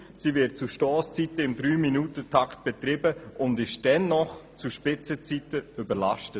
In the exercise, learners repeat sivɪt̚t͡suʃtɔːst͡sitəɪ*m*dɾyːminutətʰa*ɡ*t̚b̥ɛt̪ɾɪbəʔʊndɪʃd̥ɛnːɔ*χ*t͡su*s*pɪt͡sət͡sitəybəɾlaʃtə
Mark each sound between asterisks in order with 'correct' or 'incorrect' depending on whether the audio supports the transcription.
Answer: correct, incorrect, correct, incorrect

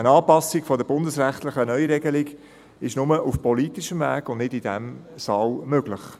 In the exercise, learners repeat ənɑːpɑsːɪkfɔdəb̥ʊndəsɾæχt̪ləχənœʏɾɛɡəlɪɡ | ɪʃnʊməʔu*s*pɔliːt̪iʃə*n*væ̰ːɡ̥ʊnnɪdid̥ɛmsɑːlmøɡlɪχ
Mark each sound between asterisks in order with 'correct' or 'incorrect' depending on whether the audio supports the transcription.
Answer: incorrect, incorrect

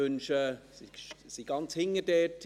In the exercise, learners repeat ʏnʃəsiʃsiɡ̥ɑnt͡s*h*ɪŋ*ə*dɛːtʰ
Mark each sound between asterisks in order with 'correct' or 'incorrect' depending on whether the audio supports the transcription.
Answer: correct, correct

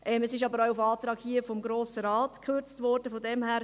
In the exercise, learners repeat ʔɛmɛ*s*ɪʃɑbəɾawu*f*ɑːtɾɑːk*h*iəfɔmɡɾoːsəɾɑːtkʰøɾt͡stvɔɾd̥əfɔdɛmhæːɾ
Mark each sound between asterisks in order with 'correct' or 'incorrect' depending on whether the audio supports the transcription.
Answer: correct, correct, correct

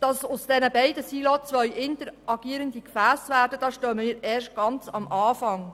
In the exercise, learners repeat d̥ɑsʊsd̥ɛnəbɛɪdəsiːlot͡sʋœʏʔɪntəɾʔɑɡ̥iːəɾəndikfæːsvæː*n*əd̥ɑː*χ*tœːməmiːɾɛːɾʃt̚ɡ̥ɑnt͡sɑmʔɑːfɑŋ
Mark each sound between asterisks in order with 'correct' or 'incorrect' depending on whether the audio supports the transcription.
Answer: incorrect, incorrect

